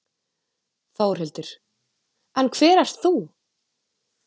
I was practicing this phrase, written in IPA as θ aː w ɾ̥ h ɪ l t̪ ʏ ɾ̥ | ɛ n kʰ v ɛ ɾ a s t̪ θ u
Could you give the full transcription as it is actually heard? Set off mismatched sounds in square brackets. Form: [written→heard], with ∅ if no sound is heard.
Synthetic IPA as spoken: θ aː w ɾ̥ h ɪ l t̪ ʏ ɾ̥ | ɛ n kʰ v [ɛ→ɛː] ɾ a s t̪ θ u